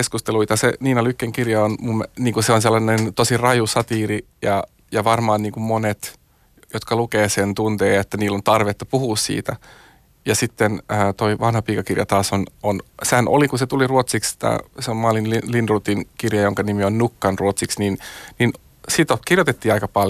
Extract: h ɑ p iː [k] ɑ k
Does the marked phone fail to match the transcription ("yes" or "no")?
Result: no